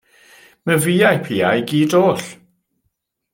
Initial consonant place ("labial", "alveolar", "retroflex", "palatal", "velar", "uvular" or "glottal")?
labial